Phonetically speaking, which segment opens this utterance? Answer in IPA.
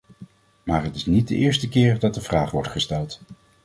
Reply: m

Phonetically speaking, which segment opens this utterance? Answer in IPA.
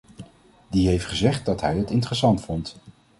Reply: d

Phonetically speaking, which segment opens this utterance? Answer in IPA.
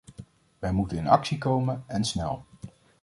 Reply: ʋ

